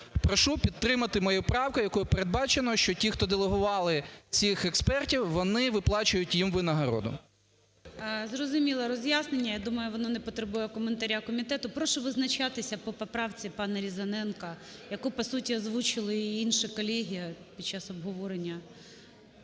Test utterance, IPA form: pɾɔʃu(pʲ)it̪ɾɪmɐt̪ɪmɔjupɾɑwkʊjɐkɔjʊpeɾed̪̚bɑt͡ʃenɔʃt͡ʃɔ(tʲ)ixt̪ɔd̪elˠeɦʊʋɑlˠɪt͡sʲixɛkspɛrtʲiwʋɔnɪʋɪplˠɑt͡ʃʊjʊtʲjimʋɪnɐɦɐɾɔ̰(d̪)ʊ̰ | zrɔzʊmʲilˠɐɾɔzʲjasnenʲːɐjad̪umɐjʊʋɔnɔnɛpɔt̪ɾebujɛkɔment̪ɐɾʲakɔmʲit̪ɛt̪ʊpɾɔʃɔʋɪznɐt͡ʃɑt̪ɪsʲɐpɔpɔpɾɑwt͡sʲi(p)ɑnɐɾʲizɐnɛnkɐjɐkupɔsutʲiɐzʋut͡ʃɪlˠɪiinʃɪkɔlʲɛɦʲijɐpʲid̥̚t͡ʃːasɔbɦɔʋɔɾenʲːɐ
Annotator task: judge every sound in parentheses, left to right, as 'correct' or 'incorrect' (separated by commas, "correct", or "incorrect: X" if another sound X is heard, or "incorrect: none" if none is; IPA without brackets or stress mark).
correct, correct, correct, correct